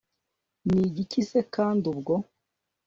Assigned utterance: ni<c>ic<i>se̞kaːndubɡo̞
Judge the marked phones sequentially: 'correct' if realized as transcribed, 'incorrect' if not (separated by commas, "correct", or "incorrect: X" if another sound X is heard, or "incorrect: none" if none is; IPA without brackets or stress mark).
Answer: incorrect: ɟ, correct